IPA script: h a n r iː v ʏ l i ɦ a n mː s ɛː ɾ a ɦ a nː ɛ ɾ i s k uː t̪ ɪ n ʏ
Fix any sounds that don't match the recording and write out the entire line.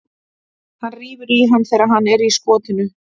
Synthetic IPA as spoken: h a n r iː v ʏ ɾ i ɦ a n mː θ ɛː ɾ a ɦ a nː ɛ ɾ i s k ɔː t̪ ɪ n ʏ